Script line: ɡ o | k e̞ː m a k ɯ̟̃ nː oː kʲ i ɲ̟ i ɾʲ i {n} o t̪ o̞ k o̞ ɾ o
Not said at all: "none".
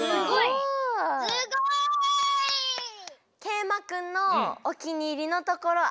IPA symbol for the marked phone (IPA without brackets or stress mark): n